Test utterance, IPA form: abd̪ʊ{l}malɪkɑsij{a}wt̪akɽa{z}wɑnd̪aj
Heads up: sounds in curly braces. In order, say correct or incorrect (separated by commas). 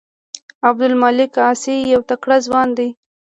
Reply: correct, correct, correct